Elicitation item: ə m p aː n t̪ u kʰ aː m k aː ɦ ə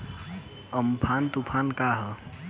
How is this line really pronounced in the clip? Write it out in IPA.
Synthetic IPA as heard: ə m pʰ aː n t̪ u pʰ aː n k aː ɦ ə